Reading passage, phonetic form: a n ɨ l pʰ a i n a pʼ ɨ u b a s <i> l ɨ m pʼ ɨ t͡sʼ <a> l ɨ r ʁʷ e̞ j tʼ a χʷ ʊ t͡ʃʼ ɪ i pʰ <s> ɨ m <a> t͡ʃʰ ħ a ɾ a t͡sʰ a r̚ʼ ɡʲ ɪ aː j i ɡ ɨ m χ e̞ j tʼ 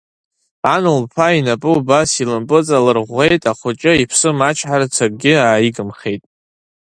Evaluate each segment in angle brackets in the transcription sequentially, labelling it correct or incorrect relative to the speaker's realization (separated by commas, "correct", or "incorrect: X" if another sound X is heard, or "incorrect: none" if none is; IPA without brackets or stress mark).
correct, correct, correct, correct